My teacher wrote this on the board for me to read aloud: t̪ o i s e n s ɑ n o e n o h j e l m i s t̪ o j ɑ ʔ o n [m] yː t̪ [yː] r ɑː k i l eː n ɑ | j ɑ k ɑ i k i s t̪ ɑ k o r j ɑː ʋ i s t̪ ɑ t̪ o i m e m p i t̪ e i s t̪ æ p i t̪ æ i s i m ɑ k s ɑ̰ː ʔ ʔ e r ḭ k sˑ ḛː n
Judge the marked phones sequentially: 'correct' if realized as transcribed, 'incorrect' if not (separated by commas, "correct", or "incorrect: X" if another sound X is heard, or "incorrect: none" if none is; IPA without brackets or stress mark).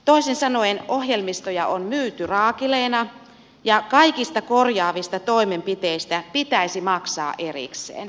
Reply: correct, incorrect: y